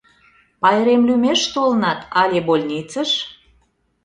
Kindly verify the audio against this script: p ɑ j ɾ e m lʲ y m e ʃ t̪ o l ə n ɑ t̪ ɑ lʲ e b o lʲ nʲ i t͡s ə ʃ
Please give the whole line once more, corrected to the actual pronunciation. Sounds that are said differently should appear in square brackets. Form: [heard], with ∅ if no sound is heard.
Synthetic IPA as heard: p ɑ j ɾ e m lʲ y m e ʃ t̪ o l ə n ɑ t̪ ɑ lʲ e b o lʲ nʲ i t͡s ə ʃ